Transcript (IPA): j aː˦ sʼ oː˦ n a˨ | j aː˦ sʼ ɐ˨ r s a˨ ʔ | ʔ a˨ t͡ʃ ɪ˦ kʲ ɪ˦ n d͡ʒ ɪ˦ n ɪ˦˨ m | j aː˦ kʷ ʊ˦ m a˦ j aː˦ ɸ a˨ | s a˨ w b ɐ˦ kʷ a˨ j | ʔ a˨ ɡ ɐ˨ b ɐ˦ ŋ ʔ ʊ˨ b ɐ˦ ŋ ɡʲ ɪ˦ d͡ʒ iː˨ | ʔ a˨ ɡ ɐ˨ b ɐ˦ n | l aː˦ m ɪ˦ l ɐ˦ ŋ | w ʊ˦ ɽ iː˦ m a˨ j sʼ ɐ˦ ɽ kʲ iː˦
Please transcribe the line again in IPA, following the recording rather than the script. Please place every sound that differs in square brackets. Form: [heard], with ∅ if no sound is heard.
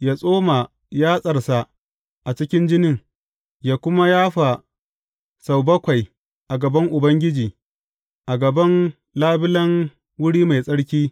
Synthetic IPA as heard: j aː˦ sʼ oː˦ [m] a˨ | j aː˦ sʼ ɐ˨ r s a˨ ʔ | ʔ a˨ t͡ʃ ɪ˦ kʲ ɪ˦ n d͡ʒ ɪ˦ n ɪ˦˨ [ŋ] | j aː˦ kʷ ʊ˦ m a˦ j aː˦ ɸ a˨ | s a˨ w b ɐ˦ kʷ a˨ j | ʔ a˨ ɡ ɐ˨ b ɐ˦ ŋ ʔ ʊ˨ b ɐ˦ ŋ ɡʲ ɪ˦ d͡ʒ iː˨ | ʔ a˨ ɡ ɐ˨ b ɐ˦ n | l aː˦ [b] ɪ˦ l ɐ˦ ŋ | w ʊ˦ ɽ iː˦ m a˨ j sʼ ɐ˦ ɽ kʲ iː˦